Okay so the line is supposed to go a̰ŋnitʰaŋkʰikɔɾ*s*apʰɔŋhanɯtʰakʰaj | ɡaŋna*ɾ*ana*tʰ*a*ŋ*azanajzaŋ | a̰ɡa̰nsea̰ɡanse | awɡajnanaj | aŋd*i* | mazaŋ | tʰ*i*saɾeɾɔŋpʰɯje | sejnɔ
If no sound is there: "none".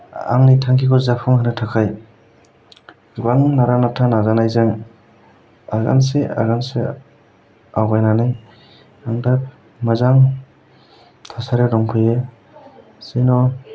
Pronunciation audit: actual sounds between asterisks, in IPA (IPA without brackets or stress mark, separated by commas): z, ɾ, tʰ, n, a, a